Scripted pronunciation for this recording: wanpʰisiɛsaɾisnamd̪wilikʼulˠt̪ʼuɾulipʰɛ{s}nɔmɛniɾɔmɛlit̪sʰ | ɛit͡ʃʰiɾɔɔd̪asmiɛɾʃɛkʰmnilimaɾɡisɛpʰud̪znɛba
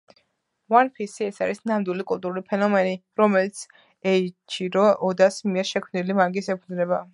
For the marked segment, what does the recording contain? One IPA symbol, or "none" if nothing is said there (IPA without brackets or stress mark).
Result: none